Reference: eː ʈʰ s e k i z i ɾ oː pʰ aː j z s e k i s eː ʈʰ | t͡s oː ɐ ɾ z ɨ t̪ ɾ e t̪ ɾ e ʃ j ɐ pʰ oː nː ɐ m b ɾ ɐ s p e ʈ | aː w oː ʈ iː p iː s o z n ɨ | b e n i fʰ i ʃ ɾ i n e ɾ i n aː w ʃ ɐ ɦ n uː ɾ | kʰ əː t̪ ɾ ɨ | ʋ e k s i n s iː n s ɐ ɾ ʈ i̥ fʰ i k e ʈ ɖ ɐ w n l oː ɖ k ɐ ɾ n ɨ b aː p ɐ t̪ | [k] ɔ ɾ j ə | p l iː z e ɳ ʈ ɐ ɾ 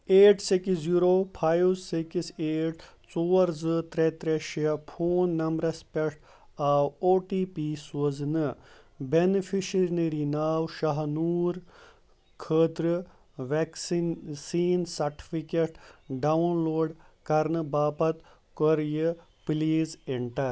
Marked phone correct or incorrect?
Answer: correct